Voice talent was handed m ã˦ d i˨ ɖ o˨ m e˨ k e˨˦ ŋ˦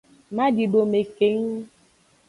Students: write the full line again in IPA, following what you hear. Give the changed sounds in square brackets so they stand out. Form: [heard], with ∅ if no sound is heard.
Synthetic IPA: m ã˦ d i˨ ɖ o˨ m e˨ k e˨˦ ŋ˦

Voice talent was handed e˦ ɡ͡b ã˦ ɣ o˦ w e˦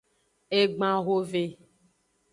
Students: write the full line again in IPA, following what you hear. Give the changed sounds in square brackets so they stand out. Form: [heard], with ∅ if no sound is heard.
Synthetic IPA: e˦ ɡ͡b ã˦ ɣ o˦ [v] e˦

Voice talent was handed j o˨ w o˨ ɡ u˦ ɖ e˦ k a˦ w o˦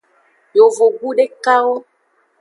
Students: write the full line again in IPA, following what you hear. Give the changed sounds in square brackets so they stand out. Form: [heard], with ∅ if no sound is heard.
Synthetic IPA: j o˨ [v] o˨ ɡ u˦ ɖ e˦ k a˦ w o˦

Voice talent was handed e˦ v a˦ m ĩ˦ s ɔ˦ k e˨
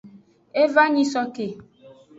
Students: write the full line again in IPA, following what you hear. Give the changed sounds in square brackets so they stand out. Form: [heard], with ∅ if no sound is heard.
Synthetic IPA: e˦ v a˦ [ɲ] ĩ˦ s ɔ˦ k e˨

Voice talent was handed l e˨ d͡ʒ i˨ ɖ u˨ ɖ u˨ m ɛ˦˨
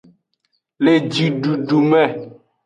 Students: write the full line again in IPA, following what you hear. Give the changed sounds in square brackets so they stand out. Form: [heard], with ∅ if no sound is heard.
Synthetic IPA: l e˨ d͡ʒ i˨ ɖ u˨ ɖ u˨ m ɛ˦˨

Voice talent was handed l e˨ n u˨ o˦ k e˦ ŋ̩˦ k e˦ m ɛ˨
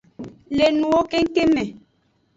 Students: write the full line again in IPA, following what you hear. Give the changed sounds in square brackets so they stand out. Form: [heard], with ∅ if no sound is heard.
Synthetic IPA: l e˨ n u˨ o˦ k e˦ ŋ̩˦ k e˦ m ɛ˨

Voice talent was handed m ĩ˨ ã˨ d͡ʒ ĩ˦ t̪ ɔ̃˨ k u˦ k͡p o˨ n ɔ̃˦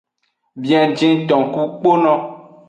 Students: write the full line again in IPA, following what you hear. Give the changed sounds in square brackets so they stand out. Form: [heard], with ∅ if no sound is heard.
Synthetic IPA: [b] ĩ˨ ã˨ d͡ʒ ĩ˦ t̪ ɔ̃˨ k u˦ k͡p [o˦] n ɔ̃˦

